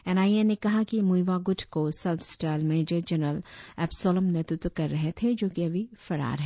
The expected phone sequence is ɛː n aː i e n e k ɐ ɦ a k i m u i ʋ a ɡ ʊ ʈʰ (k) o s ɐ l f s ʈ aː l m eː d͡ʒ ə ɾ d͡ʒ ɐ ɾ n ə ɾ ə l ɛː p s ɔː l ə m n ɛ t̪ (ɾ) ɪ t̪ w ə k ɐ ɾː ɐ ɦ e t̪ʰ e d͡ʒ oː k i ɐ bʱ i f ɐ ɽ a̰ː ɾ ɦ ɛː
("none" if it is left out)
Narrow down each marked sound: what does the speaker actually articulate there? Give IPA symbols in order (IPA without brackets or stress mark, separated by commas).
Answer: k, ɾ